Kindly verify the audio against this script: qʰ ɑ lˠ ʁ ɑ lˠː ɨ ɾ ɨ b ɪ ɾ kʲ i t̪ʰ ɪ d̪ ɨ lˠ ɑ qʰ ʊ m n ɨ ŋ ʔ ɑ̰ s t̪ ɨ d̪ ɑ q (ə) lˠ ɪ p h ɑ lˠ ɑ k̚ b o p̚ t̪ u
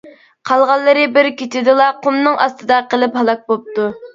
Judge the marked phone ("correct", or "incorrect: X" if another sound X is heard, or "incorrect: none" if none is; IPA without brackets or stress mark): correct